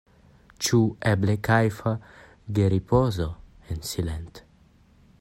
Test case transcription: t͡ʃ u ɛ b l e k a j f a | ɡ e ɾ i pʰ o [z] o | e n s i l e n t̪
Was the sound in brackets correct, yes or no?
yes